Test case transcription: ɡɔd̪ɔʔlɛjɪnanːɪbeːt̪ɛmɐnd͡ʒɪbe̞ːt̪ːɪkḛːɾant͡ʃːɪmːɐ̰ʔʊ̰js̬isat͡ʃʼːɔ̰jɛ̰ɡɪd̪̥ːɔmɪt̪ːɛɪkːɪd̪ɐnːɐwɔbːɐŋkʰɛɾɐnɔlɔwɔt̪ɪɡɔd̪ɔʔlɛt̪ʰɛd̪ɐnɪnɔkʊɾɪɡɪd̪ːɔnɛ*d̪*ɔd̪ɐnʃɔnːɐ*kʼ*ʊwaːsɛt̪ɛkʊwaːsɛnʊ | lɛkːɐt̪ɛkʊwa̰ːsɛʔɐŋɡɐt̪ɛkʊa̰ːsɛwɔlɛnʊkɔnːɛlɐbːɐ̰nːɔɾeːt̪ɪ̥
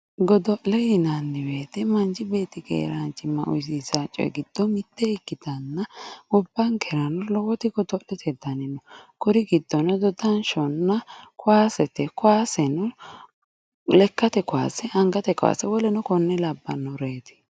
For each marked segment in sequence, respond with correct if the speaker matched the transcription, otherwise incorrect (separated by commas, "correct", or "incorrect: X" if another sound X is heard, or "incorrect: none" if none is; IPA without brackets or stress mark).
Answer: correct, incorrect: k